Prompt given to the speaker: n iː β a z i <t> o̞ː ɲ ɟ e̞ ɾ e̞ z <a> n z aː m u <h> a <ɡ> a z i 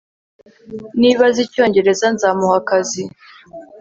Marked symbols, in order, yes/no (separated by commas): no, yes, yes, no